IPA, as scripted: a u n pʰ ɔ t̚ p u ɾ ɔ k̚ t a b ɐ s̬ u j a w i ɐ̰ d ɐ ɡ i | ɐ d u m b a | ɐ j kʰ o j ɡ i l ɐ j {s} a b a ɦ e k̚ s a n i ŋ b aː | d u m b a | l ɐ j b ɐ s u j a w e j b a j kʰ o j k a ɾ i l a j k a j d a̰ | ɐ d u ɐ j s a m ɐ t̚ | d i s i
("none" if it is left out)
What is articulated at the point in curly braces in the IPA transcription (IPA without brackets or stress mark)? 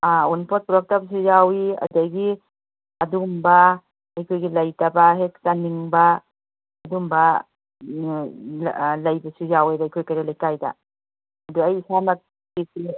t